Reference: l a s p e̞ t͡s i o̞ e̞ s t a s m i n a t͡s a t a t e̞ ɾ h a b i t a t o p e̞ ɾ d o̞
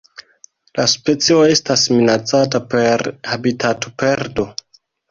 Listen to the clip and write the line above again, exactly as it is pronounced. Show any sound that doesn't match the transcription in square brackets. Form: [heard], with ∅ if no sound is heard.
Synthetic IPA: l a s p e̞ t͡s i o̞ e̞ s t a s m i n a t͡s a t a [p] e̞ ɾ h a b i t a t o p e̞ ɾ d o̞

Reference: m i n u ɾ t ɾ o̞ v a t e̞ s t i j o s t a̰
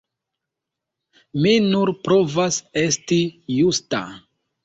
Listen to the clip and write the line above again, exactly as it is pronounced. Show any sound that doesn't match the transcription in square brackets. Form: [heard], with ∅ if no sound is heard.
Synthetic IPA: m i n u ɾ [p] ɾ o̞ v a [s] e̞ s t i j [u] s t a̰

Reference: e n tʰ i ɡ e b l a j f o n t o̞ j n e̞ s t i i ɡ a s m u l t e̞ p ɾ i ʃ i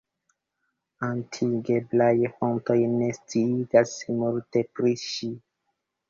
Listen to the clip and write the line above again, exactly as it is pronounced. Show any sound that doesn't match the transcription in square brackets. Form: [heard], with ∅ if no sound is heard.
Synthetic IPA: [a] n tʰ i ɡ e b l a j f o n t o̞ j n e̞ s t i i ɡ a s m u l t e̞ p ɾ i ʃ i

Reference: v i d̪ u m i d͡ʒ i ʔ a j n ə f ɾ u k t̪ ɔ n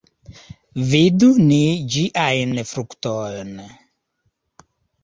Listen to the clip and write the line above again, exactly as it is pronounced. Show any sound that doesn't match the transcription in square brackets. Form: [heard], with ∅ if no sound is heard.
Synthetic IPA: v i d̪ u [n] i d͡ʒ i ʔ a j n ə f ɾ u k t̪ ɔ n

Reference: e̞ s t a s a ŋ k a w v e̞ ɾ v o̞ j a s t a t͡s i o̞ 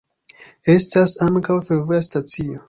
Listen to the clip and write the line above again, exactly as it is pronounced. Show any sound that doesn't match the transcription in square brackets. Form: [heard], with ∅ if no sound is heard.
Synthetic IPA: e̞ s t a s a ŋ k a w [f] e̞ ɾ v o̞ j a s t a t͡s i o̞

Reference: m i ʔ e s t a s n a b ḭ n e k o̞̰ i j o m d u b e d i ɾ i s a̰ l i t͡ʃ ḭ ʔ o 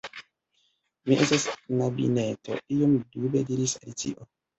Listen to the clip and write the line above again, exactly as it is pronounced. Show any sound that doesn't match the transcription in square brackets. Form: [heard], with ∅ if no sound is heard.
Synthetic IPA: m i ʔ e s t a s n a b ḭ n e [t] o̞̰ i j o m d u b e d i ɾ i s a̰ l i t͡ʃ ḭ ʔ o

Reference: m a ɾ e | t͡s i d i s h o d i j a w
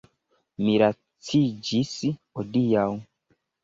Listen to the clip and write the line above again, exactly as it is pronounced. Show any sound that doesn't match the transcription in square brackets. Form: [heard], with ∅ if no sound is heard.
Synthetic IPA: m [i] ɾ [a] | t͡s i [d͡ʒ] i s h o d i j a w

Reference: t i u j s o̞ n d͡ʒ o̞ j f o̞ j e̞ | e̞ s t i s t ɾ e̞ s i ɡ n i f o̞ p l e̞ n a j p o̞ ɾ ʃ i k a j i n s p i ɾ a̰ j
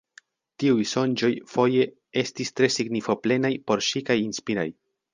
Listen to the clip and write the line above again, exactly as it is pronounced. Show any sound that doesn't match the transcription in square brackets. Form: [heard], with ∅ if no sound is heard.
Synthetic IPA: t i u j s o̞ n d͡ʒ o̞ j f o̞ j e̞ | e̞ s t i s t ɾ e̞ s i ɡ n i f o̞ p l e̞ n a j p o̞ ɾ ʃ i k a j i n s p i ɾ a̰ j

